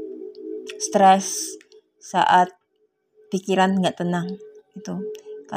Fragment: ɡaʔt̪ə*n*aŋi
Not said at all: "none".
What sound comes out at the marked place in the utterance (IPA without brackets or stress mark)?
n